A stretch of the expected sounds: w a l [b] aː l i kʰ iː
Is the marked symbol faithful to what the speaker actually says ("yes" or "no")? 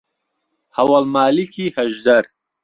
no